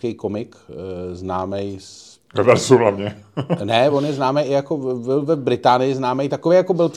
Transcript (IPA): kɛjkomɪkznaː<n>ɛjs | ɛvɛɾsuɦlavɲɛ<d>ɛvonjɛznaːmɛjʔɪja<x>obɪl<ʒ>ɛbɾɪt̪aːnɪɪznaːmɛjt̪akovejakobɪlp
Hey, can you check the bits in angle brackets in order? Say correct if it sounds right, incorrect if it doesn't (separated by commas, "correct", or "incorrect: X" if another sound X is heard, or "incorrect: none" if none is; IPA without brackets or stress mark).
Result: incorrect: m, incorrect: n, incorrect: k, incorrect: v